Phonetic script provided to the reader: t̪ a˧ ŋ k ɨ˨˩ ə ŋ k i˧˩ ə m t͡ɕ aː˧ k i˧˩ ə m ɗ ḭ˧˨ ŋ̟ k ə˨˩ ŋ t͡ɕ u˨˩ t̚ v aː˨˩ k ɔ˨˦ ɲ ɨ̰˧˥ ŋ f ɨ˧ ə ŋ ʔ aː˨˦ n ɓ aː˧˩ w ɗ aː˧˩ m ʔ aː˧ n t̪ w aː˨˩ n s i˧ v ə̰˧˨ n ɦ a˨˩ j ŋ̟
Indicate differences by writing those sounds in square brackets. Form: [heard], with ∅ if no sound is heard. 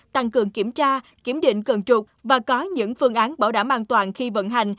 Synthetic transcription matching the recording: t̪ a˧ ŋ k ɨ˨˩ ə ŋ k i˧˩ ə m t͡ɕ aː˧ k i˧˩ ə m ɗ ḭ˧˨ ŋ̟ k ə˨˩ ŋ t͡ɕ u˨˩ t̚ v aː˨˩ k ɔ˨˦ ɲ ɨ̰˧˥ ŋ f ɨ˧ ə ŋ ʔ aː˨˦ n ɓ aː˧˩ w ɗ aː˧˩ m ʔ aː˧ n t̪ w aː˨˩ n [x] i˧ v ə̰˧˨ n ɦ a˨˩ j ŋ̟